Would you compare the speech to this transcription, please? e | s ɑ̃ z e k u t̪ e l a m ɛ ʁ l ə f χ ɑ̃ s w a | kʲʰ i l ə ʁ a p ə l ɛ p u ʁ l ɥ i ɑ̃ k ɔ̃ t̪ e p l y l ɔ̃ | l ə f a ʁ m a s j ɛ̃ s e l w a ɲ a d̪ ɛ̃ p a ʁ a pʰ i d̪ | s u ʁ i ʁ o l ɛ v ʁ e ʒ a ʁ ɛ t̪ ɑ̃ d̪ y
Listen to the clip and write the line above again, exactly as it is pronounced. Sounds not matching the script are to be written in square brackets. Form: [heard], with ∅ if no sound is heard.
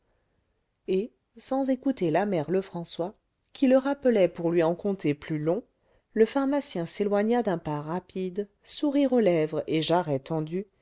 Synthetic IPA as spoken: e | s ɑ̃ z e k u t̪ e l a m ɛ ʁ l ə f χ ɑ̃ s w a | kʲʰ i l ə ʁ a p ə l ɛ p u ʁ l ɥ i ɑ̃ k ɔ̃ t̪ e p l y l ɔ̃ | l ə f a ʁ m a s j ɛ̃ s e l w a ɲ a d̪ ɛ̃ p a ʁ a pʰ i d̪ | s u ʁ i ʁ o l ɛ v ʁ e ʒ a ʁ ɛ t̪ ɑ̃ d̪ y